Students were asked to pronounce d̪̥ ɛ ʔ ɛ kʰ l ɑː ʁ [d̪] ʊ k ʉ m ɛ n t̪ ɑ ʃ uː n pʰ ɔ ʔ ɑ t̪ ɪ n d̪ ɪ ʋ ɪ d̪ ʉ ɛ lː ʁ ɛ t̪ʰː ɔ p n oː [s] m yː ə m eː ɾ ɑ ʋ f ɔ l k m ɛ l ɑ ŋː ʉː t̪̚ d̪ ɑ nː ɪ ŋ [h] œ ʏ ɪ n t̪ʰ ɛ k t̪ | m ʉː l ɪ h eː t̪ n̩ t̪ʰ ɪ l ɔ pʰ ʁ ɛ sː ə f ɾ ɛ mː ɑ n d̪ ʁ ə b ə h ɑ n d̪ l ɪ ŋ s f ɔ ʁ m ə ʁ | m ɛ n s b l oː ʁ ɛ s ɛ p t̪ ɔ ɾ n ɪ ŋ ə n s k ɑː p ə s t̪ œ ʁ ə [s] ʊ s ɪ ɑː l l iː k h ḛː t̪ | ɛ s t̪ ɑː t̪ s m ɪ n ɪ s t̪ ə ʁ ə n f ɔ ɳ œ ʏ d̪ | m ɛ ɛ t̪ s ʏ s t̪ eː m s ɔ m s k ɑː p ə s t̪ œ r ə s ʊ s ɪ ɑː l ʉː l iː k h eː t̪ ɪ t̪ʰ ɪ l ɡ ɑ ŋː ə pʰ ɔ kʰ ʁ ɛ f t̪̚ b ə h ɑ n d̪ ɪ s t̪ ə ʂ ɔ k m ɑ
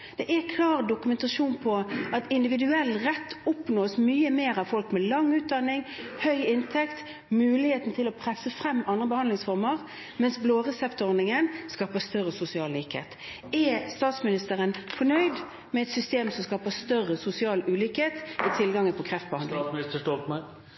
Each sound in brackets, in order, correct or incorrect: correct, correct, correct, correct

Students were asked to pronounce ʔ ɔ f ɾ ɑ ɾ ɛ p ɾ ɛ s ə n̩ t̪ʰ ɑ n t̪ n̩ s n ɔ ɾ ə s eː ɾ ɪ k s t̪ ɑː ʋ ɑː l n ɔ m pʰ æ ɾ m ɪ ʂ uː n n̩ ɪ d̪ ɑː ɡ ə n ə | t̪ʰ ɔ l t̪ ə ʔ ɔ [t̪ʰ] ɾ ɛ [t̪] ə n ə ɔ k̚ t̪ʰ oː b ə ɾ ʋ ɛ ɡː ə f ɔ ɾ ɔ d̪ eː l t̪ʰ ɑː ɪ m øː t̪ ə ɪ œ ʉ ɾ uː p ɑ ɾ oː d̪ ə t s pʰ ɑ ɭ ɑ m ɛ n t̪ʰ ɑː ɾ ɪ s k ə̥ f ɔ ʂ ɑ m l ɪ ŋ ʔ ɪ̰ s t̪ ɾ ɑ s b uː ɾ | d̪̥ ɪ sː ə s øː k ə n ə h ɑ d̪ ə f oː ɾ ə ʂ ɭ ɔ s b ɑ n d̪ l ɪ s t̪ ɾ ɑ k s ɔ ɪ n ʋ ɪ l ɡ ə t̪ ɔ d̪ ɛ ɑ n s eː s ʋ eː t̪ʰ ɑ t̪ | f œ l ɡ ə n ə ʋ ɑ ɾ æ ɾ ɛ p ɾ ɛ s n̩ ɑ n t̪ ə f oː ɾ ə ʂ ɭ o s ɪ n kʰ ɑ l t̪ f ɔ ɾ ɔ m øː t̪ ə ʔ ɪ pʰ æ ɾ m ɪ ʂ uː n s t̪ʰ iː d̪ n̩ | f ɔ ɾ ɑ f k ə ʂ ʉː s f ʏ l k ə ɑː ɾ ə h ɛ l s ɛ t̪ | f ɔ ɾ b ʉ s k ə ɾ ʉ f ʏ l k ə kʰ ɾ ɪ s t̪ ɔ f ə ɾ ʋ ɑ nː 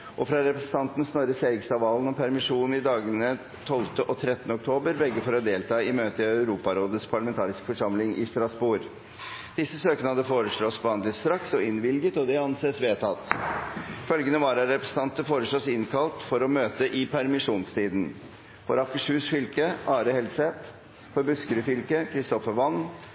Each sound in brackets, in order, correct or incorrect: correct, correct

